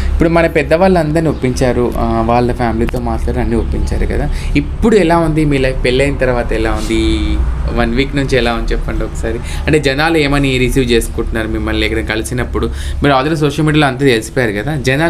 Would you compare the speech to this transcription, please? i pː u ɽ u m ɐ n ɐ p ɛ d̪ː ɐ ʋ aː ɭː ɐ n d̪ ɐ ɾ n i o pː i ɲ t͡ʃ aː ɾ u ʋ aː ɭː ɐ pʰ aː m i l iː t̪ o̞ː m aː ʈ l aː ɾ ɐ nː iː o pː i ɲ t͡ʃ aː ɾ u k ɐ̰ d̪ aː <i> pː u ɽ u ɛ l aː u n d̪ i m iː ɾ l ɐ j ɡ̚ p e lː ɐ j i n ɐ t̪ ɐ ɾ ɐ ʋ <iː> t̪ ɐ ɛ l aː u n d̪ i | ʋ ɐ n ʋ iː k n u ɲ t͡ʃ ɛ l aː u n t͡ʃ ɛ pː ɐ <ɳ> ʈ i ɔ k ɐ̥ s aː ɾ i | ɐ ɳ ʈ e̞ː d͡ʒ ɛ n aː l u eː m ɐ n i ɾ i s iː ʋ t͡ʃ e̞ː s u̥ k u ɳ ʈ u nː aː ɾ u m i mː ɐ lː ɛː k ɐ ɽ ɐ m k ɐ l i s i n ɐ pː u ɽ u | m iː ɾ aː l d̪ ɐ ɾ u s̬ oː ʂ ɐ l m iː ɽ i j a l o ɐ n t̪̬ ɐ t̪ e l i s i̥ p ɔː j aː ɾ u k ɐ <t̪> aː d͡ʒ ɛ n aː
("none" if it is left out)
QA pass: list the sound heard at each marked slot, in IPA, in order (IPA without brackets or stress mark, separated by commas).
i, aː, ɳ, d̪